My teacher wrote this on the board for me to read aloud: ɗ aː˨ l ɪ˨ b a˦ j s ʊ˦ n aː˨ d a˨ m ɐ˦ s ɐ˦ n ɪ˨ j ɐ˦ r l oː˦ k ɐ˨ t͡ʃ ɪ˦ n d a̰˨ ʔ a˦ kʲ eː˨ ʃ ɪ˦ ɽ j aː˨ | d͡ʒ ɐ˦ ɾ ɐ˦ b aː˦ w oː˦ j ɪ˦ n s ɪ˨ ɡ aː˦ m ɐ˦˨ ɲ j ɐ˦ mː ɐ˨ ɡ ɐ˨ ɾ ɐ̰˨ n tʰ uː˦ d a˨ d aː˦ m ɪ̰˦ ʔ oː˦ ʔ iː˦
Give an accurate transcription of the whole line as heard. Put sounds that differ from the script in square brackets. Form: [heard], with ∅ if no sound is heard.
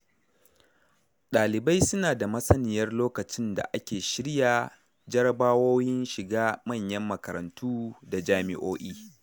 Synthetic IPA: ɗ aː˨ l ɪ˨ b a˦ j s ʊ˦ n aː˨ d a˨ m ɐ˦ s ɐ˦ n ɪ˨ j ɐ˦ r l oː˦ k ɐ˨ t͡ʃ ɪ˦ n d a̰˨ ʔ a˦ kʲ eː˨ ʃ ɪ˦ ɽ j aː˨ | d͡ʒ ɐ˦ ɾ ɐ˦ b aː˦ w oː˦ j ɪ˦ n [ʃ] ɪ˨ ɡ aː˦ m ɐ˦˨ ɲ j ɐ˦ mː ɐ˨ [k] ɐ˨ ɾ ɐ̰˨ n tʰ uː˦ d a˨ [d͡ʒ] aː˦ m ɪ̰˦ ʔ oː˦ ʔ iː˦